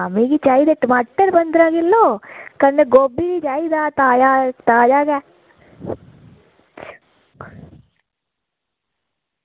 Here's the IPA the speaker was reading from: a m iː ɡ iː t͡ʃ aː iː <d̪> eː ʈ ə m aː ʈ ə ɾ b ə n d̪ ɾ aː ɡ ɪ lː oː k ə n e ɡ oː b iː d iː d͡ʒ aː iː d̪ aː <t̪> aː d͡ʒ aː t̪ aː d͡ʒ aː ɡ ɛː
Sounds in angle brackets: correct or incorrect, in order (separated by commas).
correct, correct